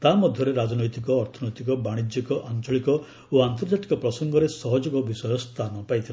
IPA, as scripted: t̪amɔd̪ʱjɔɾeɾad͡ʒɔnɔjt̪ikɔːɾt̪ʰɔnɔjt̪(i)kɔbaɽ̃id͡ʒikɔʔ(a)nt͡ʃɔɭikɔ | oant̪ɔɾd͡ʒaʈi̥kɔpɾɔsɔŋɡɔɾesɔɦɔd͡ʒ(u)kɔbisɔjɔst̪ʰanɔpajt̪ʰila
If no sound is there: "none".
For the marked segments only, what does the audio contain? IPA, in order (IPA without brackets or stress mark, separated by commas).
i, a, ɔ